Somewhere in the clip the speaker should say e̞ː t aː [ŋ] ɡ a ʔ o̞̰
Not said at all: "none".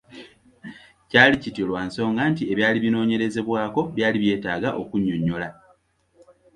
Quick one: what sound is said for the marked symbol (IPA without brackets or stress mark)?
none